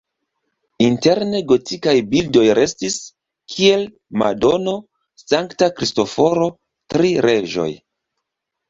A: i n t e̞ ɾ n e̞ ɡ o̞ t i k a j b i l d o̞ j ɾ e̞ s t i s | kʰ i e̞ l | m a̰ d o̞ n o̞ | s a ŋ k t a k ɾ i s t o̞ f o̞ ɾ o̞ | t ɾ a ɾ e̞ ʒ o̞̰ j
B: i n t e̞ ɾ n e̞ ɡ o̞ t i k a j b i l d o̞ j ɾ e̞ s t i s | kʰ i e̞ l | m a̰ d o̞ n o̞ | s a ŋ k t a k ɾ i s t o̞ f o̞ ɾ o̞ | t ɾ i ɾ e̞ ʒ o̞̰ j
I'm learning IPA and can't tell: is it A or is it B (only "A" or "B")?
B